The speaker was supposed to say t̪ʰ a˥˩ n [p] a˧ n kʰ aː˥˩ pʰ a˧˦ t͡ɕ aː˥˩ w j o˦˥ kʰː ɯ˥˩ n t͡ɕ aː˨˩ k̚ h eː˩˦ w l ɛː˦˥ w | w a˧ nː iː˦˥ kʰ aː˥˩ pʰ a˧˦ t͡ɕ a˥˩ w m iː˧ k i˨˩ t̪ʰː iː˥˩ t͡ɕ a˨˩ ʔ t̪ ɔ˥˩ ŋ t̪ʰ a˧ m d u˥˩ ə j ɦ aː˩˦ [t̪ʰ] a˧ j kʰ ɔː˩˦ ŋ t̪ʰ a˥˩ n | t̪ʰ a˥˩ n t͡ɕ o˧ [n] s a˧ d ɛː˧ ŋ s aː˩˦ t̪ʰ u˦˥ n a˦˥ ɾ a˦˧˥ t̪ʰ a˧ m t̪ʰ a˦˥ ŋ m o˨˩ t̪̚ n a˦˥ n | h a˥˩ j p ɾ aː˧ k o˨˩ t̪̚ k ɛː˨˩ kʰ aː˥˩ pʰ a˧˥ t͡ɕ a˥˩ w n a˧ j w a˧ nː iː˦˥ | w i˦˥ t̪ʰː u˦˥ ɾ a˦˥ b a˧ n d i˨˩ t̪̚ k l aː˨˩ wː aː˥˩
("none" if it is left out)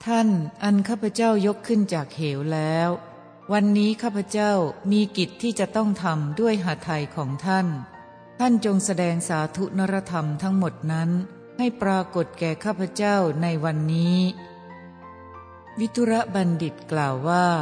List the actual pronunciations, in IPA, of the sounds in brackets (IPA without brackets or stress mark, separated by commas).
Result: ʔ, t̪ʰ, ŋ